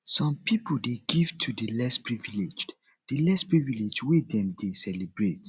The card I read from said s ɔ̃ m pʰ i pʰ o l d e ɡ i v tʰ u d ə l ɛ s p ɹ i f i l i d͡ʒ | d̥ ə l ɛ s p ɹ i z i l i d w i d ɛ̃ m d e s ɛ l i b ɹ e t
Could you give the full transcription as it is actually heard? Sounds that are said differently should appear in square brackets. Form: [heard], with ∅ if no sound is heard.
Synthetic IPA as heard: s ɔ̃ m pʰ i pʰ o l d e ɡ i v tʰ u d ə l ɛ s p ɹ i [v] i l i d͡ʒ | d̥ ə l ɛ s p ɹ i [v] i l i [d͡ʒ] w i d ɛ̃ m d e s ɛ l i b ɹ e t